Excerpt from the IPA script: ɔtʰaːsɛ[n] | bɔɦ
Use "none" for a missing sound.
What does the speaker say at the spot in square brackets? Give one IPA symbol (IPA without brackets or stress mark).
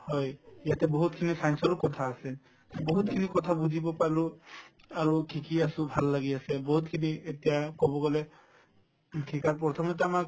none